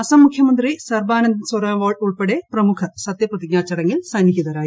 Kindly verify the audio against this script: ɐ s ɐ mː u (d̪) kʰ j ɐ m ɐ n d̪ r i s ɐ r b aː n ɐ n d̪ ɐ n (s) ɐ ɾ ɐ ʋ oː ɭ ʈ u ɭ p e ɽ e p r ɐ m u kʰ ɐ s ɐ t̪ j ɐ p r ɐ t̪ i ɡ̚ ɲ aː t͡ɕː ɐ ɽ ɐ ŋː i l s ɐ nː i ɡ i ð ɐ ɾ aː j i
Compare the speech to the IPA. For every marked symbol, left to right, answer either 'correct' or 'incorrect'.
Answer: incorrect, correct

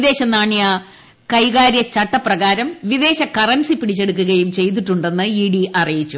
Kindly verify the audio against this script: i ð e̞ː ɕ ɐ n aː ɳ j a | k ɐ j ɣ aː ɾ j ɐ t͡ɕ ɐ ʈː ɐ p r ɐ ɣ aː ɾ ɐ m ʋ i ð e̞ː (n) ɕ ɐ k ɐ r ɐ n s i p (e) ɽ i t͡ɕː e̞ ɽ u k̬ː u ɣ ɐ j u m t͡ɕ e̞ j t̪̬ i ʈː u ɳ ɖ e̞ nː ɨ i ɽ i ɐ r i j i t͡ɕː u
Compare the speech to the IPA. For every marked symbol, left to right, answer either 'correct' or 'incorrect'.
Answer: incorrect, incorrect

